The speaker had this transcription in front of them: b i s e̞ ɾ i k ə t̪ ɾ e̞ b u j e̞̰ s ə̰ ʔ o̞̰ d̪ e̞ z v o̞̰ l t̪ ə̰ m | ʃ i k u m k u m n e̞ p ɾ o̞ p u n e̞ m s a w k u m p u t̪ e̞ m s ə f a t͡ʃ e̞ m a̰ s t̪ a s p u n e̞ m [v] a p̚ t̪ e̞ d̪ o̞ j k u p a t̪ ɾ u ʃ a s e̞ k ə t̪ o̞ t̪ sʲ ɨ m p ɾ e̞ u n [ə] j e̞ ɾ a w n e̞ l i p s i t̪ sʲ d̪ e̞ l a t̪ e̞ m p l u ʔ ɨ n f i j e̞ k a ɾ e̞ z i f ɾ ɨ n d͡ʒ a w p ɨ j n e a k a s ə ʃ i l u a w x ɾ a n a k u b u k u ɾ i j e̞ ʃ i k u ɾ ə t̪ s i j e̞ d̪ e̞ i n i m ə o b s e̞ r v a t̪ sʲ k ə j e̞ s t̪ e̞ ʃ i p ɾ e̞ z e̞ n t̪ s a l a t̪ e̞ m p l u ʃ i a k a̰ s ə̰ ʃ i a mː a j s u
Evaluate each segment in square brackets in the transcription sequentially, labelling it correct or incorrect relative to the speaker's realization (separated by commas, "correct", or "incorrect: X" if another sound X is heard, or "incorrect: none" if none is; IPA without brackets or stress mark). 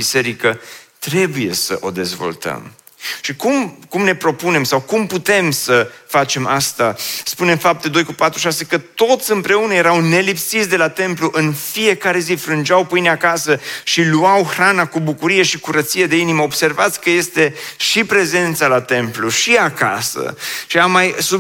incorrect: f, correct